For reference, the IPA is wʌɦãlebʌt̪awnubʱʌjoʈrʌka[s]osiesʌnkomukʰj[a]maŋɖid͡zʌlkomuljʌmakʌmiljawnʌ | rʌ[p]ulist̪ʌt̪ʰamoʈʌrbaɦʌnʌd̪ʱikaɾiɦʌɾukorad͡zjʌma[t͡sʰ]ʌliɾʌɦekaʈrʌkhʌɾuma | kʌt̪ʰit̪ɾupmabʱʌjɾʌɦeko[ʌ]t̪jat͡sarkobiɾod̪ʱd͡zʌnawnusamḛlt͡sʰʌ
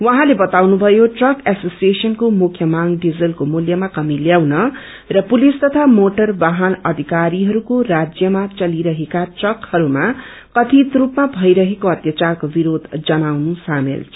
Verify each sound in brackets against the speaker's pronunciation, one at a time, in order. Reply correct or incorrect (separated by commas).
correct, incorrect, correct, incorrect, correct